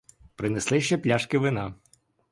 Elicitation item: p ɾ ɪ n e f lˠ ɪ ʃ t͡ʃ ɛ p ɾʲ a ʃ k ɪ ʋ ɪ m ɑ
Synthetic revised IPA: p ɾ ɪ n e s lˠ ɪ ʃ t͡ʃ ɛ p lʲ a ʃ k ɪ ʋ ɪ n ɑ